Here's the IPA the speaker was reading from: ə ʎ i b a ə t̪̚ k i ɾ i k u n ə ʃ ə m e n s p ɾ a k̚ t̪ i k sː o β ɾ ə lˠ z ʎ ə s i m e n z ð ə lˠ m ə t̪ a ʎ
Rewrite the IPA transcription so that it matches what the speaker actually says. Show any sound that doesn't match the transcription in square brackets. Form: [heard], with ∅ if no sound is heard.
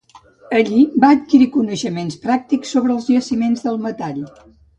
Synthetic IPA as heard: ə ʎ i b a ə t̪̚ k i ɾ i k u n ə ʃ ə m e n s p ɾ a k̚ t̪ i k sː o β ɾ ə lˠ z ʎ ə s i m e n z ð ə lˠ m ə t̪ a ʎ